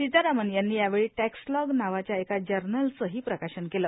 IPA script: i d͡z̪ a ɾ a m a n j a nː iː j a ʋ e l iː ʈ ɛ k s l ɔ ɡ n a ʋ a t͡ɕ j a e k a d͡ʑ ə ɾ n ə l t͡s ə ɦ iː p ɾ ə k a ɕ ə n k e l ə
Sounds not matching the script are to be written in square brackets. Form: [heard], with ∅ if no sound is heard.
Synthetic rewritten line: i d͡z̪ a ɾ a m [ə] n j a nː iː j a ʋ e [ɭ] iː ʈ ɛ k s l ɔ ɡ n a ʋ a t͡ɕ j a e k a d͡ʑ ə ɾ n ə l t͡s ə ɦ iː p ɾ ə k a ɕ ə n k e l ə